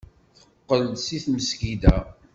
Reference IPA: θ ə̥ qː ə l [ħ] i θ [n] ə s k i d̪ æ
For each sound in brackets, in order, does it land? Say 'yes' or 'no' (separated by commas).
no, no